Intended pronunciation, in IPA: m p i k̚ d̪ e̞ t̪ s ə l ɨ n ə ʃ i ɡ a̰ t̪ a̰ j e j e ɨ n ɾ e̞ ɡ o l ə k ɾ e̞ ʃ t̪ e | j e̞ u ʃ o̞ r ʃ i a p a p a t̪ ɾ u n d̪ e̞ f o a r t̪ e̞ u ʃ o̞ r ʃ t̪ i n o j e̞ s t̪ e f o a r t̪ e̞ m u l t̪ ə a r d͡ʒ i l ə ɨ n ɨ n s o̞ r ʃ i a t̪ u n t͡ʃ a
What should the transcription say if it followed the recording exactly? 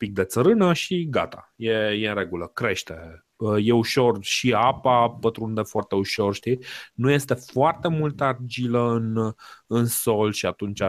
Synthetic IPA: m p i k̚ d̪ e̞ t̪ s ə ɾ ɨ n ə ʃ i ɡ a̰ t̪ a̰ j e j e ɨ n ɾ e̞ ɡ u l ə k ɾ e̞ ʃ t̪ e | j e̞ u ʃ o̞ r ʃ i a p a p ə t̪ ɾ u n d̪ e̞ f o a r t̪ e̞ u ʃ o̞ r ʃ t̪ i n u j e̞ s t̪ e f o a r t̪ e̞ m u l t̪ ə a r d͡ʒ i l ə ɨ n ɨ n s o̞ l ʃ i a t̪ u n t͡ʃ a